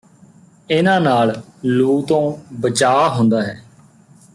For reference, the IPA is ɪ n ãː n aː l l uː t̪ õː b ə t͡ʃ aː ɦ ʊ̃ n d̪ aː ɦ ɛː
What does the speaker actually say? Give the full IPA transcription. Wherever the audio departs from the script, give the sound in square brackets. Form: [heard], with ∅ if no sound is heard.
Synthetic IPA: ɪ n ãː n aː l l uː t̪ õː b ə t͡ʃ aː ɦ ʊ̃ n d̪ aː ɦ ɛː